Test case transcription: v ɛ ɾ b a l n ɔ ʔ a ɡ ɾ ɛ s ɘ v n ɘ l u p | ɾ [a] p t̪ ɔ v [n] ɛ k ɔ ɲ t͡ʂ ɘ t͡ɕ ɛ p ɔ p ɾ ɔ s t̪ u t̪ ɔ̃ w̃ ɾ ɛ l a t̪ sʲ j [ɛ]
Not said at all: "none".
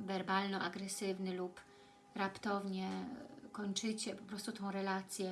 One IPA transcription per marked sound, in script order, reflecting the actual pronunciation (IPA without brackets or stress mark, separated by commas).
a, ɲ, ɛ